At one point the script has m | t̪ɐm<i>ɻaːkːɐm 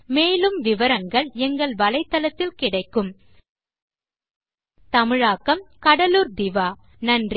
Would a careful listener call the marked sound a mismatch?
yes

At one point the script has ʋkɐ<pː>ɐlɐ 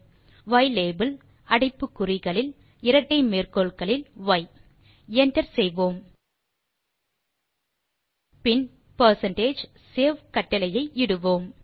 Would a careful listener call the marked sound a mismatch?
yes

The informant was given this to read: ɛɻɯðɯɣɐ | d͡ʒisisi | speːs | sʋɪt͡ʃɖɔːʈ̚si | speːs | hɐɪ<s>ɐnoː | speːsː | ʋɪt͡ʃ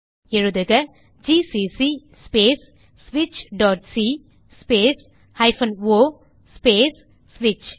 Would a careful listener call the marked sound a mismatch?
yes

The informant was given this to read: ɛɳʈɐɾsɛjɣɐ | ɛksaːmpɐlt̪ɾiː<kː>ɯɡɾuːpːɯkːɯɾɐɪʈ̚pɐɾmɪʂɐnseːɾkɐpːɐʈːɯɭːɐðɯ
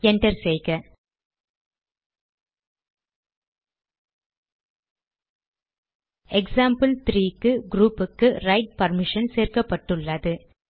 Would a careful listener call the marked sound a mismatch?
no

